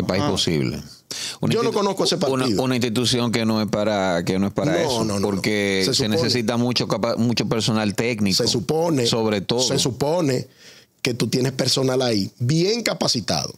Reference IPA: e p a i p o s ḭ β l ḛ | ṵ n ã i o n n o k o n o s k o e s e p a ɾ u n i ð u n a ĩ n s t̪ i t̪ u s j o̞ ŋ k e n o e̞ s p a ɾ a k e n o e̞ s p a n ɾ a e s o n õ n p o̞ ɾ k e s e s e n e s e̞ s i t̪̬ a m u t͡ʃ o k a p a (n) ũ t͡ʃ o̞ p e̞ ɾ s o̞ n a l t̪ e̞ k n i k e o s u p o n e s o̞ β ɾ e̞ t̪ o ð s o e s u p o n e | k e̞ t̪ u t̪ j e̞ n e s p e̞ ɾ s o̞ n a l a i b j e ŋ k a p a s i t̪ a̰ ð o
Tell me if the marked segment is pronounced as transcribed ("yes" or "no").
no